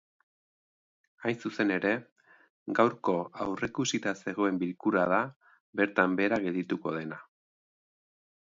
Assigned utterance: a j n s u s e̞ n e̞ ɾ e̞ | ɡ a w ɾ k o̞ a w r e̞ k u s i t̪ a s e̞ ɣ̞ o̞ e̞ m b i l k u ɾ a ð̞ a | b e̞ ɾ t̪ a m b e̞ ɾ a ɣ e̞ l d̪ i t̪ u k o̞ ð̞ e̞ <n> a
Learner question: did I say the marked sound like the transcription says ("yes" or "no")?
yes